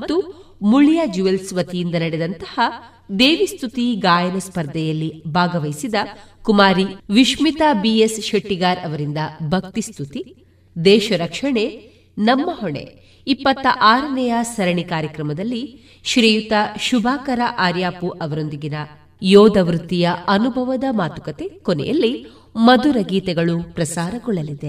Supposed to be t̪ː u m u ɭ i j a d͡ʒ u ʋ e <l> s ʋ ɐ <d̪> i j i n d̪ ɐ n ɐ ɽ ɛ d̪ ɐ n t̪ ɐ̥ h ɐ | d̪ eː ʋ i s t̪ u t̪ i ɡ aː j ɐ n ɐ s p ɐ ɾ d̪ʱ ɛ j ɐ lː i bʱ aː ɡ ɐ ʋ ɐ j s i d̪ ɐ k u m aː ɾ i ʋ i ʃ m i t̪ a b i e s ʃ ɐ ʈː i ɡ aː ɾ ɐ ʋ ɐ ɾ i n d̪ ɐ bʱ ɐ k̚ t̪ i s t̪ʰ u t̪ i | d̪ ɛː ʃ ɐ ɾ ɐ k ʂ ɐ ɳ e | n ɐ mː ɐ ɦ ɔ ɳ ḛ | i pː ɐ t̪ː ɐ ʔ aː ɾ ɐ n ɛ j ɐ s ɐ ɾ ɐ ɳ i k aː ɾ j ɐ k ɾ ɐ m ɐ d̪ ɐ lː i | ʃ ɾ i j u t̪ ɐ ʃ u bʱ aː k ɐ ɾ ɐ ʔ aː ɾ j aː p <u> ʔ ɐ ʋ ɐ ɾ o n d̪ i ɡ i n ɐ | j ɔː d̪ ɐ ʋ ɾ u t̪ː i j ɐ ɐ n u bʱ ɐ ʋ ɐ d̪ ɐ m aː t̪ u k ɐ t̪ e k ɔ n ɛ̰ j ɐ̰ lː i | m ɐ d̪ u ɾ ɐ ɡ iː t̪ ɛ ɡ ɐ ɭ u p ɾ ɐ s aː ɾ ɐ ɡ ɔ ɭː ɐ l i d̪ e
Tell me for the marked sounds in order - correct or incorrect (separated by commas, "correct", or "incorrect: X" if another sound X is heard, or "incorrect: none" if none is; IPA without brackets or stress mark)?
correct, incorrect: t̪, correct